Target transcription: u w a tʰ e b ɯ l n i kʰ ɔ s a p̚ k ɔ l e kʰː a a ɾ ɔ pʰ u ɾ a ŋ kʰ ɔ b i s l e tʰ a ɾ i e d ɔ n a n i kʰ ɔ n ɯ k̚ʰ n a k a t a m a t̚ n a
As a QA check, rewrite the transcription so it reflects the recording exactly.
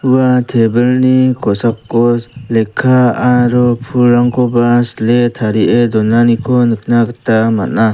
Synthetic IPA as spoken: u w a tʰ e b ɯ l n i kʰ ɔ s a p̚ k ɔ l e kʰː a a ɾ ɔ pʰ u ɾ a ŋ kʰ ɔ b a s l e tʰ a ɾ i e d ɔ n a n i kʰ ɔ n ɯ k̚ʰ n a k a t a m a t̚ n a